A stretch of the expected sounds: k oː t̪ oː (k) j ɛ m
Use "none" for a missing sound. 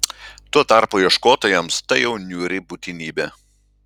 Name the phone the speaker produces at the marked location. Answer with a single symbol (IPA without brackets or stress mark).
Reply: none